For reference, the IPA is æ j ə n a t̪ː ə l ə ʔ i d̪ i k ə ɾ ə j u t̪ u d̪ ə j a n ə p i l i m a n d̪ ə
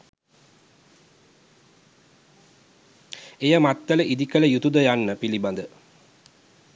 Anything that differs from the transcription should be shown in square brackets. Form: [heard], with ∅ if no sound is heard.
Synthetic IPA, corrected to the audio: [e] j ə [m] a t̪ː ə l ə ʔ i d̪ i k ə [l] ə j u t̪ u d̪ ə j a [nː] ə p i l i [b] a n d̪ ə